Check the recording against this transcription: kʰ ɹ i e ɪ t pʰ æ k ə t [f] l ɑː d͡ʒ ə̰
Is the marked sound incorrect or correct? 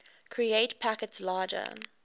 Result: incorrect